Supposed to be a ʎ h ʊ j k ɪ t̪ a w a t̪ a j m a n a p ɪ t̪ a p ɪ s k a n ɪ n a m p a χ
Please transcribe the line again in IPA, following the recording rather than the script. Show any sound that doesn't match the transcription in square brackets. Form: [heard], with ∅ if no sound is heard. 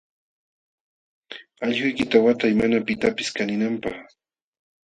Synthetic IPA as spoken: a ʎ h ʊ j k ɪ t̪ a w a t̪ a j m a n a p ɪ t̪ a p ɪ s k a n ɪ n a m p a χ